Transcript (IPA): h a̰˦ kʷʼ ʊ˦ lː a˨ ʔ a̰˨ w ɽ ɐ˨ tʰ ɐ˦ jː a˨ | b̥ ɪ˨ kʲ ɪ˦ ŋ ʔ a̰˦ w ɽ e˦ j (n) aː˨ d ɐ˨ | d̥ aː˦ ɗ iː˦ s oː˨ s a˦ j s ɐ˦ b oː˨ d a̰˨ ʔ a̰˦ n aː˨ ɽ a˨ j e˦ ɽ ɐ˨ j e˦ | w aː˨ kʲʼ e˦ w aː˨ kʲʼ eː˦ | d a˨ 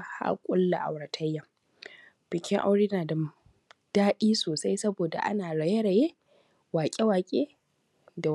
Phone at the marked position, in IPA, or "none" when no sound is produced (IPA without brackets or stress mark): n